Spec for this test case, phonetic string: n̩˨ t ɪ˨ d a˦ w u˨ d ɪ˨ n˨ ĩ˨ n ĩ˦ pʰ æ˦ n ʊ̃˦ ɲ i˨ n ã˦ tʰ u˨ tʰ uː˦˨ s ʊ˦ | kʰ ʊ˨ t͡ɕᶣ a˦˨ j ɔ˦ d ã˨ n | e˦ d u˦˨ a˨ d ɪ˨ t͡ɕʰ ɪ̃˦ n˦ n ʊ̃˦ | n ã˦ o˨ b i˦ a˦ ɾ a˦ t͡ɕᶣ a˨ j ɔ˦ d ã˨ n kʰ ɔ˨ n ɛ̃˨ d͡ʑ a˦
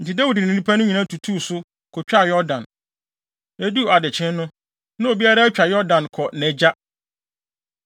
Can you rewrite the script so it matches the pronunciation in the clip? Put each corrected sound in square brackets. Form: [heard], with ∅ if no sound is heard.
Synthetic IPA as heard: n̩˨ t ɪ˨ d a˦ w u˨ d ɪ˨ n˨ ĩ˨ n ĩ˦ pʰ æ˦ n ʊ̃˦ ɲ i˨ n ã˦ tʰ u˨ tʰ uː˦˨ s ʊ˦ | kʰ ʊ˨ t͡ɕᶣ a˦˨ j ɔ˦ d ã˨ n | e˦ d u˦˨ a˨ d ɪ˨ t͡ɕʰ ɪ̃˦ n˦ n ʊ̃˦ | n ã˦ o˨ b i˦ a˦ ɾ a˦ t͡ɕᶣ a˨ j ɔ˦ d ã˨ n kʰ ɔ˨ n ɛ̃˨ d͡ʑ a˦